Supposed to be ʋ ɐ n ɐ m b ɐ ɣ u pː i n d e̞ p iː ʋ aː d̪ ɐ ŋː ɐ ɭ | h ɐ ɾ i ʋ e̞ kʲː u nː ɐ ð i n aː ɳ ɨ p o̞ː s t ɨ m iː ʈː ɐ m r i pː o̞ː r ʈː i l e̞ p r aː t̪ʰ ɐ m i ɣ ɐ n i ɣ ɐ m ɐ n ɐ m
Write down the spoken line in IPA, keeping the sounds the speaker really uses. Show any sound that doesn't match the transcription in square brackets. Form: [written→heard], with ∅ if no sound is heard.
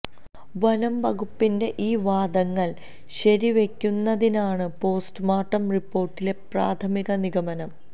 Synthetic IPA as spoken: ʋ ɐ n ɐ m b ɐ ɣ u pː i n d e̞ [p→ʔ] iː ʋ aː d̪ ɐ ŋː ɐ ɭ | [h→ɕ] ɐ ɾ i ʋ e̞ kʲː u nː ɐ ð i n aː ɳ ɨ p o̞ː s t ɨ m [iː→aː] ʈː ɐ m r i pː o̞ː r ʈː i l e̞ p r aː t̪ʰ ɐ m i ɣ ɐ n i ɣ ɐ m ɐ n ɐ m